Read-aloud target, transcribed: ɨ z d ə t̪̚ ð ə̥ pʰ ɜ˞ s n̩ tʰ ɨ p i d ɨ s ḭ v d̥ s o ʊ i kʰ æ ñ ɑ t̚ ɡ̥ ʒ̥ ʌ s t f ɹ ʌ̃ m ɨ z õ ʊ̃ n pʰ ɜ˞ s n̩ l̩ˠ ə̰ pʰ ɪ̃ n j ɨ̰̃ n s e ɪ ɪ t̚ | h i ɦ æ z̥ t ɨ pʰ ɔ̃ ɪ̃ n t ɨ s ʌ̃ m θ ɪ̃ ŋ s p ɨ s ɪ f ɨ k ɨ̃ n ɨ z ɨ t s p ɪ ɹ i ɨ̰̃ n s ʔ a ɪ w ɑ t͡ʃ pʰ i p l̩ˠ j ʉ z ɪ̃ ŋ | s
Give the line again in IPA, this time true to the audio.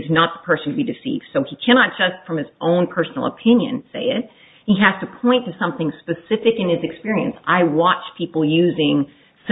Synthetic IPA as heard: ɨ z n ə t̪̚ ð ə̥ pʰ ɜ˞ s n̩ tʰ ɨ b i d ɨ s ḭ v d̥ s o ʊ i kʰ æ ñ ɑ t̚ d̥ ʒ̥ ʌ s t f ɹ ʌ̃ m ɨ z õ ʊ̃ n pʰ ɜ˞ s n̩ l̩ˠ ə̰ pʰ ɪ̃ n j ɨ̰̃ n s e ɪ ɪ t̚ | h i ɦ æ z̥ t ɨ pʰ ɔ̃ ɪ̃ n t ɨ s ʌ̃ m θ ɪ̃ ŋ s p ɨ s ɪ f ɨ k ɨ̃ n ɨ z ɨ k s p ɪ ɹ i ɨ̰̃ n s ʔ a ɪ w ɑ t͡ʃ pʰ i p l̩ˠ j ʉ z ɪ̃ ŋ | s

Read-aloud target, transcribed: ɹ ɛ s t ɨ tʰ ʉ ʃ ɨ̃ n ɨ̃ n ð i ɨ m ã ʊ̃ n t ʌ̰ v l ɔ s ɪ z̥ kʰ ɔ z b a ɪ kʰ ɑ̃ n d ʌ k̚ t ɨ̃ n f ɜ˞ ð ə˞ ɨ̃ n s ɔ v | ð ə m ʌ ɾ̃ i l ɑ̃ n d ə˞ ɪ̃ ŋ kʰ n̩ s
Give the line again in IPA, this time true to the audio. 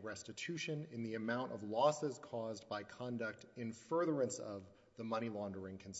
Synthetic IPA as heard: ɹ ɛ s t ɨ tʰ ʉ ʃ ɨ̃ n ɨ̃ n ð i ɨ m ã ʊ̃ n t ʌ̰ v l ɔ s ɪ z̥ kʰ ɔ z b a ɪ kʰ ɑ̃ n d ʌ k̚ t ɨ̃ n f ɜ˞ ð ə˞ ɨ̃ n s ʌ v | ð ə m ʌ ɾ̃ i l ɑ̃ n d ə˞ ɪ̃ ŋ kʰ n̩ s

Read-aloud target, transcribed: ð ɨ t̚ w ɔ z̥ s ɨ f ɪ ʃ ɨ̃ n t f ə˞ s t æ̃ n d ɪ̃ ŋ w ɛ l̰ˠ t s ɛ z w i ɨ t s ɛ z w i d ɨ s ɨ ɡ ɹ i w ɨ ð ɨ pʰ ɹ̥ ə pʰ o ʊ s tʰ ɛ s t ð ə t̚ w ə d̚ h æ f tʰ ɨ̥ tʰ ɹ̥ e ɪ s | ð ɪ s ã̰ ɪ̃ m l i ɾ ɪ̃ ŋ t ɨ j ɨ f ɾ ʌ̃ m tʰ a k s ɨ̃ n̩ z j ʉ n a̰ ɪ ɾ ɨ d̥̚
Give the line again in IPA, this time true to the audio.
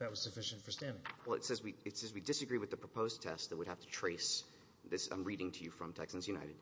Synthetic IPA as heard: ð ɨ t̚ w ʌ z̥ s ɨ f ɪ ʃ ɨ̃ n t f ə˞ s t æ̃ n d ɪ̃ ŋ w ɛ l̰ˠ t s ɛ z w i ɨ t s ɛ z w i d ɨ s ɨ ɡ ɹ i w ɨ ð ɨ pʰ ɹ̥ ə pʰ o ʊ z tʰ ɛ s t ð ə t̚ w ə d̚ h æ f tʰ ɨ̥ tʰ ɹ̥ e ɪ s | ð ɪ s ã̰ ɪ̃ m ɹ i ɾ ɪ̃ ŋ tʰ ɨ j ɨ f ɹ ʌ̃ m tʰ ɛ k s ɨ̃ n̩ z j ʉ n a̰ ɪ ɾ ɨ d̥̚

